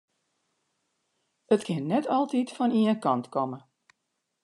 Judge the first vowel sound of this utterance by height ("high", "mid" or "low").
mid